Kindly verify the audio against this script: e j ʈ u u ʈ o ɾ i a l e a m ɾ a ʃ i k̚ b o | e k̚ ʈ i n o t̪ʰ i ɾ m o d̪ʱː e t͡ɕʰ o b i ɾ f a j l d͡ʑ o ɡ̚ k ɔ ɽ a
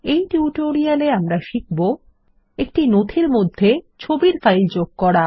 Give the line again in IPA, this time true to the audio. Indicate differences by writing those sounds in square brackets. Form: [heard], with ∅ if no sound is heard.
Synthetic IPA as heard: e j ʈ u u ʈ o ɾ i a l e a m ɾ a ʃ i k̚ b o | e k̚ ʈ i n o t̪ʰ i ɾ m o d̪ʱː e t͡ɕʰ o b i ɾ f a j l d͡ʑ o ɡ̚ k ɔ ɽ a